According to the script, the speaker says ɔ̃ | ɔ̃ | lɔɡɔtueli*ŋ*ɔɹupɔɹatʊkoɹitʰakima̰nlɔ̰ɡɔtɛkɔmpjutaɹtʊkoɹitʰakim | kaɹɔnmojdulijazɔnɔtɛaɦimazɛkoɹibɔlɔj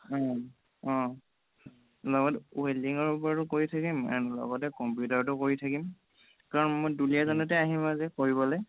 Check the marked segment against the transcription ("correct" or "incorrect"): correct